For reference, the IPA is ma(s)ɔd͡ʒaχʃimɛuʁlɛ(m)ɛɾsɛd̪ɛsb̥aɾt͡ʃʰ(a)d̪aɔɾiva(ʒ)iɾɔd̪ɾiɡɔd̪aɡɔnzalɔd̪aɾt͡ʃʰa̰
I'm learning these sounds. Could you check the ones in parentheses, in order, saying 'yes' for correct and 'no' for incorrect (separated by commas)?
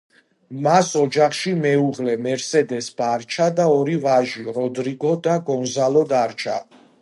yes, yes, yes, yes